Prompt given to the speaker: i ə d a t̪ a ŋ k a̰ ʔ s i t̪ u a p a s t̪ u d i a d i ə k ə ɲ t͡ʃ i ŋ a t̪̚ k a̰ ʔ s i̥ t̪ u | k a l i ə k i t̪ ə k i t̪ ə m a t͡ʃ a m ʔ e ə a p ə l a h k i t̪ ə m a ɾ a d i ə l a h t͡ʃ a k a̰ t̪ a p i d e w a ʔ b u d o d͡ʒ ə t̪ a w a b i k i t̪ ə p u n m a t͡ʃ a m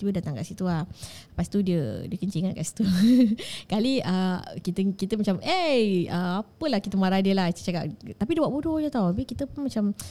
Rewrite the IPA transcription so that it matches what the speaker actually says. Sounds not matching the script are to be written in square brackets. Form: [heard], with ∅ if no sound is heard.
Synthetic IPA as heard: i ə d a t̪ a ŋ k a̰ ʔ s i t̪ u a p a s t̪ u d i [ə] d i ə k ə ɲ t͡ʃ i ŋ a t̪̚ k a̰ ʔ s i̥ t̪ u | k a l i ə k i t̪ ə k i t̪ ə m a t͡ʃ a m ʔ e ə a p ə l a h k i t̪ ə m a ɾ a d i ə l a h t͡ʃ a k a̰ t̪ a p i d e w a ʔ b u d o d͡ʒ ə t̪ a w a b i k i t̪ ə p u n m a t͡ʃ a m